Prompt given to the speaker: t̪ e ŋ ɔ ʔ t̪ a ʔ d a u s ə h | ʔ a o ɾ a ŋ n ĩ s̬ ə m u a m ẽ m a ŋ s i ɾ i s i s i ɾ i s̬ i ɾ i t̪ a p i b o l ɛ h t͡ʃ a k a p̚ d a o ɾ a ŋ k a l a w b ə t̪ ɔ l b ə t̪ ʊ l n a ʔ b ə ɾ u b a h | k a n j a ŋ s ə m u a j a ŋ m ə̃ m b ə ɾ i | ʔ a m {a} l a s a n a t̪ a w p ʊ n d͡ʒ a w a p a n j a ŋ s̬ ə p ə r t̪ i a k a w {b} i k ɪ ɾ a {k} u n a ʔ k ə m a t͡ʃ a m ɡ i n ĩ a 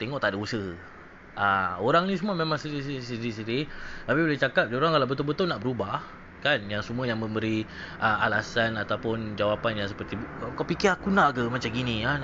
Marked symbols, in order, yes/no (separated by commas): yes, no, yes